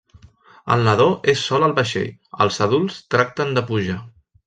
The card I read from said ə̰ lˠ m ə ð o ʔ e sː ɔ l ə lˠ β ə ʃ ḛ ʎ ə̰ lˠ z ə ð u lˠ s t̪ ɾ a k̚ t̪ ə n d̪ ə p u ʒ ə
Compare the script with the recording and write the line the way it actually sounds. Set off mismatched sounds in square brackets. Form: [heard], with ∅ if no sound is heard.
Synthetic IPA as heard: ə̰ lˠ [n] ə ð o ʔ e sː ɔ l ə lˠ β ə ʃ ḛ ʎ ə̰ lˠ z ə ð u lˠ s t̪ ɾ a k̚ t̪ ə n d̪ ə p u ʒ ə